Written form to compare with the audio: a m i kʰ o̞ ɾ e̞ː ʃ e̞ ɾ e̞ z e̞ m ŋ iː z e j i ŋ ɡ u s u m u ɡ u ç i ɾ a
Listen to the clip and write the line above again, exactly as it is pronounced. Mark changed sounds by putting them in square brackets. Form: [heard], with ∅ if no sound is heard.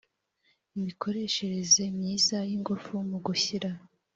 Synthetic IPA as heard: [i] m i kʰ o̞ ɾ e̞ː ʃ e̞ ɾ e̞ z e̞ m [ɲ] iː z [a] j i ŋ ɡ u [f] u m u ɡ u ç i ɾ a